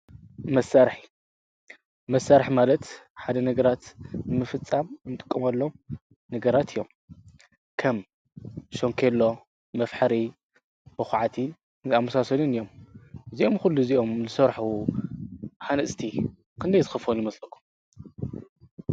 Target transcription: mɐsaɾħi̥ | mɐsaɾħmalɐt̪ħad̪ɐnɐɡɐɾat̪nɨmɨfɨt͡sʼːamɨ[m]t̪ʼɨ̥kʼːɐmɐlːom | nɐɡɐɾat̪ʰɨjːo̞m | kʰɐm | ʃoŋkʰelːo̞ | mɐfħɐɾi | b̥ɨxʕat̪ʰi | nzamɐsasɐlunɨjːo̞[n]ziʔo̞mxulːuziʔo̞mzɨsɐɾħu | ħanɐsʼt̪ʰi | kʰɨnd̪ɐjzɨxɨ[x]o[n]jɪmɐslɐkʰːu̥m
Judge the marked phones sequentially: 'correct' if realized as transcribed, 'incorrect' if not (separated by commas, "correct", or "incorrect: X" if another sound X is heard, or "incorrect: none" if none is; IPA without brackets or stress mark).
incorrect: n, incorrect: m, incorrect: f, correct